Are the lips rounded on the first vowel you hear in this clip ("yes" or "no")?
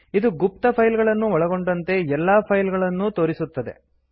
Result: no